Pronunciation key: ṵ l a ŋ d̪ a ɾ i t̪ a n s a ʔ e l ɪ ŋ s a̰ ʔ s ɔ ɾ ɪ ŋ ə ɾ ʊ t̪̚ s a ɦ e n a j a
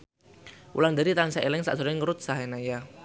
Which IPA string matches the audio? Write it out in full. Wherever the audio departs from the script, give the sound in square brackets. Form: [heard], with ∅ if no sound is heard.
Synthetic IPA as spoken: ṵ l a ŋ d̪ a ɾ i t̪ a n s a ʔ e l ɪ ŋ s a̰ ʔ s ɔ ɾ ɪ ŋ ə ɾ ʊ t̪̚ s a ɦ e n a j a